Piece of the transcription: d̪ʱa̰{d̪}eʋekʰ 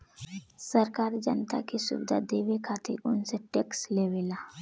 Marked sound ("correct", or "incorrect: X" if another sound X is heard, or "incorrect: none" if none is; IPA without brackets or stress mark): correct